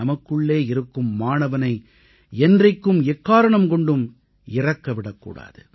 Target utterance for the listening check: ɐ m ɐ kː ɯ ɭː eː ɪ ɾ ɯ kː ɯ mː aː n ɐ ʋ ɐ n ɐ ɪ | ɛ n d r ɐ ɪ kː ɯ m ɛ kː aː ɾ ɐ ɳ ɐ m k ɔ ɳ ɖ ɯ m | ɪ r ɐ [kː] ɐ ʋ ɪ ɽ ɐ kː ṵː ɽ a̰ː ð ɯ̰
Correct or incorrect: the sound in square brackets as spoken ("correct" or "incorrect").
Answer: correct